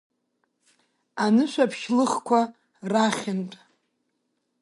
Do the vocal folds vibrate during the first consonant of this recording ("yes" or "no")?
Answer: yes